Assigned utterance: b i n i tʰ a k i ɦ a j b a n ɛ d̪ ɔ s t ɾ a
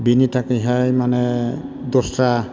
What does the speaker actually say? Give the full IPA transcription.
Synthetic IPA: b i n i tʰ a k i ɦ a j m a n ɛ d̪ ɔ s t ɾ a